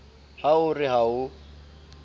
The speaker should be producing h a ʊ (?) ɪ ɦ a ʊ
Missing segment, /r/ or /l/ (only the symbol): r